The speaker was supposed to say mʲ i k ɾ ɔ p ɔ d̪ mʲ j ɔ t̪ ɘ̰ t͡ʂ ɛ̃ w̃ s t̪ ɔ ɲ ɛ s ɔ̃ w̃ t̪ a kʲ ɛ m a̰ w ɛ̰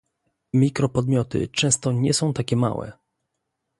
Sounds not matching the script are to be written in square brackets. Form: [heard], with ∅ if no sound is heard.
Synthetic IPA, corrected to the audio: mʲ i k ɾ ɔ p ɔ d̪ mʲ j ɔ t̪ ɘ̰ t͡ʂ ɛ̃ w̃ s t̪ ɔ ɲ ɛ s ɔ̃ w̃ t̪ a kʲ ɛ m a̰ w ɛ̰